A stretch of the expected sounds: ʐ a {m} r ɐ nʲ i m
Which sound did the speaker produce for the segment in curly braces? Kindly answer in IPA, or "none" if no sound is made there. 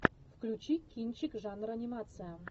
n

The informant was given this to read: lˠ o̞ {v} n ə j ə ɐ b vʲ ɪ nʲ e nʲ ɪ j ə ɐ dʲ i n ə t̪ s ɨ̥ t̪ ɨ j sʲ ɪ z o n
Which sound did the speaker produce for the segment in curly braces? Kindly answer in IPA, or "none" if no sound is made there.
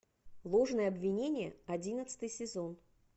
ʐ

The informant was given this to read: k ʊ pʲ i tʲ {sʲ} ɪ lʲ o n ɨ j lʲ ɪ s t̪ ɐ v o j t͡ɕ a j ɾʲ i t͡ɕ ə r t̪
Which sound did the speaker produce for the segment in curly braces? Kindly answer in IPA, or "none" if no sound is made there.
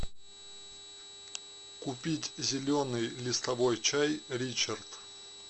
zʲ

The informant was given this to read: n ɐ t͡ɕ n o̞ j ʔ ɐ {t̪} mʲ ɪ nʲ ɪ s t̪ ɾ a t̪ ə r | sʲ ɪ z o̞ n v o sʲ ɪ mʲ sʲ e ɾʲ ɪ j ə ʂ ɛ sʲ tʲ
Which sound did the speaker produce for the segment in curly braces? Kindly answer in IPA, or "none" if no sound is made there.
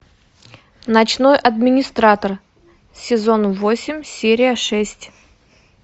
d̪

